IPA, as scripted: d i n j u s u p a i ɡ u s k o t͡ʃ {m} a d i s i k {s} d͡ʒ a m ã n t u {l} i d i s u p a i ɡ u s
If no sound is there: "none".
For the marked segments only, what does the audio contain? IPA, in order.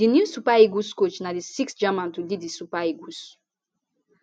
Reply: n, s, l

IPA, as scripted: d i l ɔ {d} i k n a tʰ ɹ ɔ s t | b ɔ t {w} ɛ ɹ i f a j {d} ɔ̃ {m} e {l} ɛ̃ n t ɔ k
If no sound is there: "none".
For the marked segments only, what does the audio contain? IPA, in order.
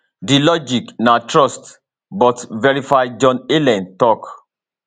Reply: d͡ʒ, v, d͡ʒ, n, l

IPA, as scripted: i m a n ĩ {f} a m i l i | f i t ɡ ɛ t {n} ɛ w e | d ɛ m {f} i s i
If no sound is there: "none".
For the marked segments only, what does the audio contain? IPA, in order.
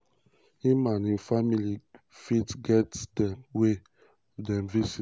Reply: f, d, v

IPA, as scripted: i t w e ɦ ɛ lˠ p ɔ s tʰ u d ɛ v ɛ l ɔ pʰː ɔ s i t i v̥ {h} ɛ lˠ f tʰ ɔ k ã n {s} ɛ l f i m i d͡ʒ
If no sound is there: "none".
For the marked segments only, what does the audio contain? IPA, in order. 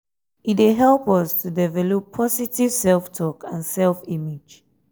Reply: s, s

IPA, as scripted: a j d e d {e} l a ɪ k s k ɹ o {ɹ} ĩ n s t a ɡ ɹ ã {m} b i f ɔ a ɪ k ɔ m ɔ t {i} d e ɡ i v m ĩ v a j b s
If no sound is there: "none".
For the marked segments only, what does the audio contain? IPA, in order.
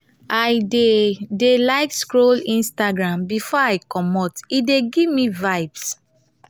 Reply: e, l, m, i

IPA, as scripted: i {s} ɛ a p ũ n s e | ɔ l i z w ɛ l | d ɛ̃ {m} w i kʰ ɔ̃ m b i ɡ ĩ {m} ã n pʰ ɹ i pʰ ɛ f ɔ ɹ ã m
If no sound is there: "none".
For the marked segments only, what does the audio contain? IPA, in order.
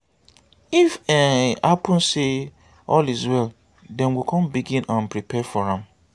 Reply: f, n, n

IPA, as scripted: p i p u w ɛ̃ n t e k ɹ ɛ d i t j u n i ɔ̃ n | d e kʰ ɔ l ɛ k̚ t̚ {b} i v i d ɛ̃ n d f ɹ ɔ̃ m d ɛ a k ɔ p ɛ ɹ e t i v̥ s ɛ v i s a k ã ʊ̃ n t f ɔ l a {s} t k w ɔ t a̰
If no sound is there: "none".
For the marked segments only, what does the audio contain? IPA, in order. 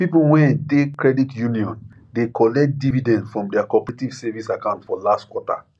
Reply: d, s

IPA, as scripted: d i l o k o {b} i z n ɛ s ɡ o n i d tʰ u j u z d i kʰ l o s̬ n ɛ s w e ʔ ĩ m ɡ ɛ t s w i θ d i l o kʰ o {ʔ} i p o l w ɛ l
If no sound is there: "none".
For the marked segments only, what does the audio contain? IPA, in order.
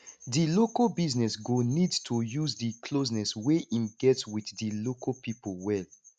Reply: b, p

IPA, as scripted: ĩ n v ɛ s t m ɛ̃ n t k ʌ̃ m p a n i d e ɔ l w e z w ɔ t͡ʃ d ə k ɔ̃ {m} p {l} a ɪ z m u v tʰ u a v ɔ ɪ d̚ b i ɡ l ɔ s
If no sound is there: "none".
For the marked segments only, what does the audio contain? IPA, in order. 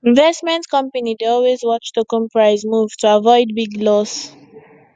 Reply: m, ɹ

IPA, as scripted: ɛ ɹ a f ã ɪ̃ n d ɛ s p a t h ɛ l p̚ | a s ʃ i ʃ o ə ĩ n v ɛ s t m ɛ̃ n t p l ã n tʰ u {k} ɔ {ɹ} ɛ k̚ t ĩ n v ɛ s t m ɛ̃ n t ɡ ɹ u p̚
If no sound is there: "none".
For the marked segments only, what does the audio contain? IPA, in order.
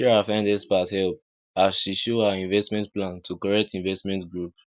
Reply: k, ɹ

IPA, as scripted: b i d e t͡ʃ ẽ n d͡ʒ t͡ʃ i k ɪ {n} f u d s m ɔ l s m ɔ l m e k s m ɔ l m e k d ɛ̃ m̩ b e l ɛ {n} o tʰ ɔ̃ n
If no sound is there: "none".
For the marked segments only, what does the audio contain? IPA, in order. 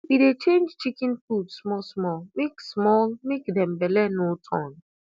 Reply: n, n

